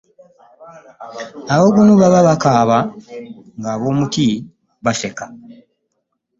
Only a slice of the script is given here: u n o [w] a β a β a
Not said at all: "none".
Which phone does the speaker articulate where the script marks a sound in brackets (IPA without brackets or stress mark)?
β